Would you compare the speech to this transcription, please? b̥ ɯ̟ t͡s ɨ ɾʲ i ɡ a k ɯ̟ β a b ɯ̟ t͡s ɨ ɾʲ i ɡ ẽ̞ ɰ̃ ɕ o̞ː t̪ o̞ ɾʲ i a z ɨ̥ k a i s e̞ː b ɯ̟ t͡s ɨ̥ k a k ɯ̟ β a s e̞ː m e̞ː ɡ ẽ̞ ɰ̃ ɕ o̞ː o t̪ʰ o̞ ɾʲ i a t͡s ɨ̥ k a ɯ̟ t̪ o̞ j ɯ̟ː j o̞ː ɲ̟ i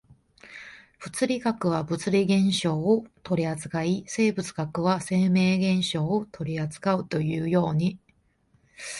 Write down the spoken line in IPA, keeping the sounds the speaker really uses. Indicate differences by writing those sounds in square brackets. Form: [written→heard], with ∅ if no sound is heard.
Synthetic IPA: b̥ ɯ̟ t͡s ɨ ɾʲ i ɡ a k ɯ̟ β a b ɯ̟ t͡s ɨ ɾʲ i ɡ ẽ̞ ɰ̃ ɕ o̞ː t̪ o̞ ɾʲ i a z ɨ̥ k a i s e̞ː b ɯ̟ t͡s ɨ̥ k a k ɯ̟ β a s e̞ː m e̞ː ɡ ẽ̞ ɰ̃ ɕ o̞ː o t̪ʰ o̞ ɾʲ i a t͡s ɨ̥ k a ɯ̟ t̪ o̞ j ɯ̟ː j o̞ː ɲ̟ i